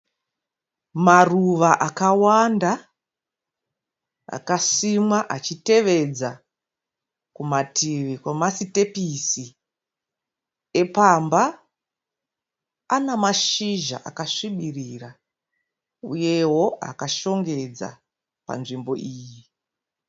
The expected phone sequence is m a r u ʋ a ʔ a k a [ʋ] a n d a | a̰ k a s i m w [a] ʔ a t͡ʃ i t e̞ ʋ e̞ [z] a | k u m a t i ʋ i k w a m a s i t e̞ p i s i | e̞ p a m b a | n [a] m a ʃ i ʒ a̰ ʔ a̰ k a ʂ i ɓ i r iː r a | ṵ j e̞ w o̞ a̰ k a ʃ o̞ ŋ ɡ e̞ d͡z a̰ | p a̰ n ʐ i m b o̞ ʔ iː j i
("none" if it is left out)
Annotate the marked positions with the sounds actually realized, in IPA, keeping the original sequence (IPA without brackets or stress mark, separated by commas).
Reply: w, a, d͡z, a